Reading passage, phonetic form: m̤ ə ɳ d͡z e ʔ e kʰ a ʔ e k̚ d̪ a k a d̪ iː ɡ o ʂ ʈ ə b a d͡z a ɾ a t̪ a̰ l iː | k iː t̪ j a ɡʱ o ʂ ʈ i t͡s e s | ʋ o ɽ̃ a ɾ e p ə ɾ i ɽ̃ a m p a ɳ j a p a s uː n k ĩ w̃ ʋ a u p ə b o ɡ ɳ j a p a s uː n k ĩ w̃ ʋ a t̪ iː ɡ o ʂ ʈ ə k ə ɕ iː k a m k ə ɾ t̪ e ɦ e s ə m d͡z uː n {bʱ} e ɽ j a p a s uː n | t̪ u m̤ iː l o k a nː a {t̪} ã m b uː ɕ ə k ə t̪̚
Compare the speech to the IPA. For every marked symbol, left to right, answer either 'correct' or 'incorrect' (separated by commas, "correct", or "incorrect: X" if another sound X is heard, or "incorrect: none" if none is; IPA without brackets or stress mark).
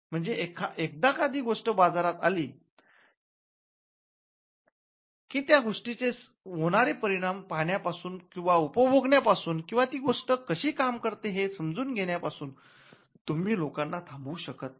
incorrect: ɡʱ, incorrect: t̪ʰ